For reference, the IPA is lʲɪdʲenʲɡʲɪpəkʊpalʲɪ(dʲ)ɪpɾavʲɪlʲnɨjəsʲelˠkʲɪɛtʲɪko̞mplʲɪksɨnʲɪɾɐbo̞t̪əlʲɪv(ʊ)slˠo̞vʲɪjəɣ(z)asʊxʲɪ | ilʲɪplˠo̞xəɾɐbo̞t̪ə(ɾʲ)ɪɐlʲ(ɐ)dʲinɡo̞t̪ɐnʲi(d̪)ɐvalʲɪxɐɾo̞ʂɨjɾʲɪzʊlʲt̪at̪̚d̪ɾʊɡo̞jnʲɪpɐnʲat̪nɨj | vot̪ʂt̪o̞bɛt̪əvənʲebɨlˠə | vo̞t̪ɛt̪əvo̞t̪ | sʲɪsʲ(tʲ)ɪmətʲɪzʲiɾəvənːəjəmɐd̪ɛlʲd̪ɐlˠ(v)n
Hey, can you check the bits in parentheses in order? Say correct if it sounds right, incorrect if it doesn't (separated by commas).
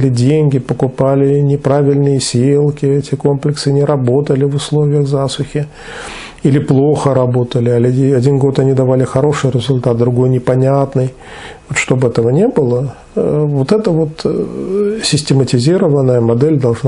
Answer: incorrect, correct, correct, incorrect, correct, correct, correct, incorrect